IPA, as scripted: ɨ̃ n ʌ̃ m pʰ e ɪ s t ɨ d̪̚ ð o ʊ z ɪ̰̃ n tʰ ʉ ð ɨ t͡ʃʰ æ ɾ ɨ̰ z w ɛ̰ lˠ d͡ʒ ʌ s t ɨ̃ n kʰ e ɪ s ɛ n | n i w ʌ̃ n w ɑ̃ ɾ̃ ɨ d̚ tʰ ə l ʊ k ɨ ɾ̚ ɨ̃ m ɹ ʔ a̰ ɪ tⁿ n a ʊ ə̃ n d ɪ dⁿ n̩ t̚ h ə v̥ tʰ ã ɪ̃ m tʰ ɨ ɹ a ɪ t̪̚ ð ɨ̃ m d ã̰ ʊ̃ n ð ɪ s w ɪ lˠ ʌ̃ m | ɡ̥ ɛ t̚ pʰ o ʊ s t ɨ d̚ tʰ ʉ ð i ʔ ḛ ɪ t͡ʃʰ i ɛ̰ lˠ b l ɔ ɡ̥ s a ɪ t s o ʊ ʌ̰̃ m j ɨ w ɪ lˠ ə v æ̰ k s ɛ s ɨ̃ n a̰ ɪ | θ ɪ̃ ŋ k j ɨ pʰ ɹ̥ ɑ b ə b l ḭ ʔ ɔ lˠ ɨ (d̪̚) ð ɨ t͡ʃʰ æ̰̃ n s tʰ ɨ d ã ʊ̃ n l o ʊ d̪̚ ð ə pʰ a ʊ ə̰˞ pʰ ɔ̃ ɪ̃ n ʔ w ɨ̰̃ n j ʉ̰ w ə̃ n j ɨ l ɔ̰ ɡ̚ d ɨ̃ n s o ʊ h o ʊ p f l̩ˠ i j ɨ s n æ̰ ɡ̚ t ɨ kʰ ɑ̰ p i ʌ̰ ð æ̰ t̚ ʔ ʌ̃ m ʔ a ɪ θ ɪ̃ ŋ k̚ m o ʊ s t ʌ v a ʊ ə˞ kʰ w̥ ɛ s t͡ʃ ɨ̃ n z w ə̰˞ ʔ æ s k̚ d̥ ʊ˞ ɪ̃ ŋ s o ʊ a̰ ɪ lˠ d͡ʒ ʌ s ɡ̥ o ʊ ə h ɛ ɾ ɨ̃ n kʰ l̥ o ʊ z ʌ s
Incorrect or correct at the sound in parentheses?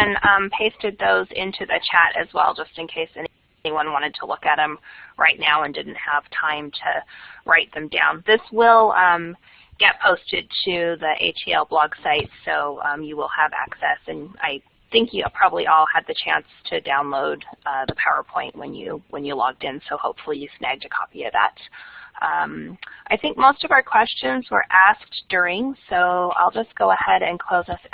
correct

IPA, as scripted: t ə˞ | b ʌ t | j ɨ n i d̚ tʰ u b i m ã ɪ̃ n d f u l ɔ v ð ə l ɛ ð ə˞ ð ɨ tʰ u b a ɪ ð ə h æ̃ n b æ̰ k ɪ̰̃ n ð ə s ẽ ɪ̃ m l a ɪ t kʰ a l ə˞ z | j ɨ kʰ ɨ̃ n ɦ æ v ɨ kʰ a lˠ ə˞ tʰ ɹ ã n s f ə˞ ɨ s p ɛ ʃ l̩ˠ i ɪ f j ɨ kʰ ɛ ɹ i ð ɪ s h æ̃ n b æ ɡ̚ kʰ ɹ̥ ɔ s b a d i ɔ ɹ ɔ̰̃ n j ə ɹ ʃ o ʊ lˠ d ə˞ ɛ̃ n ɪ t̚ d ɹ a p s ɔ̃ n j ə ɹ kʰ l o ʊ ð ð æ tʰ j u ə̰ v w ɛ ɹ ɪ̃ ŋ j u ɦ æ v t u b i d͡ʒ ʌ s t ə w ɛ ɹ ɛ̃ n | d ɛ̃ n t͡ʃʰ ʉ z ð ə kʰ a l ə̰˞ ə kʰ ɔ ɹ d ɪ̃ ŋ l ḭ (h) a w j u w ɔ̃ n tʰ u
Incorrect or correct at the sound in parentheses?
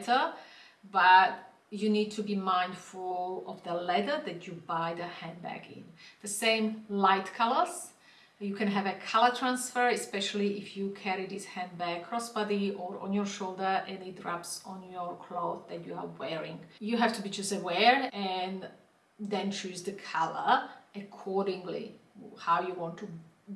correct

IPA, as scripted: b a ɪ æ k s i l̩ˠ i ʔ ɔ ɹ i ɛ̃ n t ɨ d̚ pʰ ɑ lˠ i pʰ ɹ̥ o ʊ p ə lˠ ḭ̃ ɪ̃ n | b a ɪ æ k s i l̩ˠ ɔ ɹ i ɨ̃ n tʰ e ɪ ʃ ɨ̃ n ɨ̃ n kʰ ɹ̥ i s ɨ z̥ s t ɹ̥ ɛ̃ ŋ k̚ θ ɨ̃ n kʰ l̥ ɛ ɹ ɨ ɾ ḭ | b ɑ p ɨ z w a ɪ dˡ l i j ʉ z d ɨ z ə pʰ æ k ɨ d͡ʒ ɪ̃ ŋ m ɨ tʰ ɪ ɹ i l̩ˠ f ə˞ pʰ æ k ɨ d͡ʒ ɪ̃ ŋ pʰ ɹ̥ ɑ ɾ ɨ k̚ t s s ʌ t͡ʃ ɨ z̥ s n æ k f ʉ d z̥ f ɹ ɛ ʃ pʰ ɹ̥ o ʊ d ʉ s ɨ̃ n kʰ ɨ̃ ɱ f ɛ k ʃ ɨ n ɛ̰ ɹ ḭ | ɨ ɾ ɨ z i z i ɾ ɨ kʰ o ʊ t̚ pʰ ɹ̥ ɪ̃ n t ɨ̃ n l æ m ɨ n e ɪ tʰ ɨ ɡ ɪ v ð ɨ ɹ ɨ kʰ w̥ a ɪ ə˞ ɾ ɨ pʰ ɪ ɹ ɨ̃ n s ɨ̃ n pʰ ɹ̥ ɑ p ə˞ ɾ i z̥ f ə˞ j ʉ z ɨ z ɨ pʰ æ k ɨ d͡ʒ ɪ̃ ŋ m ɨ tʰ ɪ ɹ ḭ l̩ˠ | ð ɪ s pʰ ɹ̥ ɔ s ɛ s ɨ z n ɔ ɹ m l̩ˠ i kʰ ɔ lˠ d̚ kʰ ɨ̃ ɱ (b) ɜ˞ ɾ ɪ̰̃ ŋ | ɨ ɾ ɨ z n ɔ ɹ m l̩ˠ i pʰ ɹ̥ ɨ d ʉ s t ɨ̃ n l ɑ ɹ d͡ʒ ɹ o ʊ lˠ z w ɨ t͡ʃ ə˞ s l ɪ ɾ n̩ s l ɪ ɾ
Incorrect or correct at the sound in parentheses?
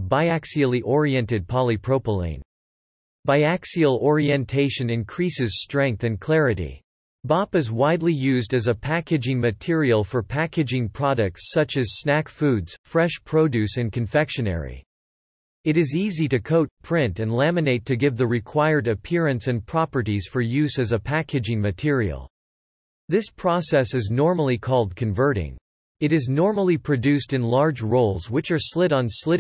incorrect: v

